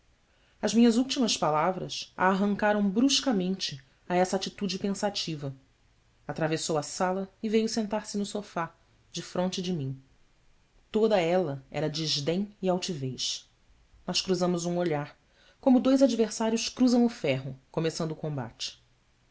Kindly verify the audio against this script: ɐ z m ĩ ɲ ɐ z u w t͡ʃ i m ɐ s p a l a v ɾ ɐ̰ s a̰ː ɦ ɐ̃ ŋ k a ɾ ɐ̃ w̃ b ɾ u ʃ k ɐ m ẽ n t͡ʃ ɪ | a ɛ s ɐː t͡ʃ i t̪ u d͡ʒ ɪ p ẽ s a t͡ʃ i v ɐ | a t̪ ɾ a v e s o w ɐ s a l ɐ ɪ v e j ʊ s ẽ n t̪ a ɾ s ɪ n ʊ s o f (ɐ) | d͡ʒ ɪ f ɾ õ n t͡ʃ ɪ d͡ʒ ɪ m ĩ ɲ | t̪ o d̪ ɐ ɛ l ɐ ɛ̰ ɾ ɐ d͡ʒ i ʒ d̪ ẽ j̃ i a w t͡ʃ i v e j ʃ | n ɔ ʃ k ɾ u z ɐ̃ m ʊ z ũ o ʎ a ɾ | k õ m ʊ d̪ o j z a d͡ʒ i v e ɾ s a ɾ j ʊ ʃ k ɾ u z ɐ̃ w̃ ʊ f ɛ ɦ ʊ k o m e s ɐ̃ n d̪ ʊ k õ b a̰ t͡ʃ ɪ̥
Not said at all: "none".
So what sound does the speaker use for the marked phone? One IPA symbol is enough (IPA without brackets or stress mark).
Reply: a